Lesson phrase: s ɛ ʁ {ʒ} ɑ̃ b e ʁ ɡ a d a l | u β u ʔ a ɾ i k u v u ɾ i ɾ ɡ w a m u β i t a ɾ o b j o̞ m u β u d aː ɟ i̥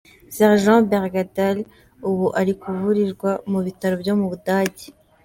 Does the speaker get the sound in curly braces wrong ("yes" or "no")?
no